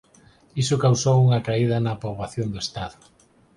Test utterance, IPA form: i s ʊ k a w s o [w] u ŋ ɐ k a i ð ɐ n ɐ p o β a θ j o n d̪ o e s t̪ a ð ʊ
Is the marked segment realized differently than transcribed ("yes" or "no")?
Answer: no